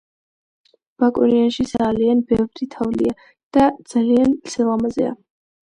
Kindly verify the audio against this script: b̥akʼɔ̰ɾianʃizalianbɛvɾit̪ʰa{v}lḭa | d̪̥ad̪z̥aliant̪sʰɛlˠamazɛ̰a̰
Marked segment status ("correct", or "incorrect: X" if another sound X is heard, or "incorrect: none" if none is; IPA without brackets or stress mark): correct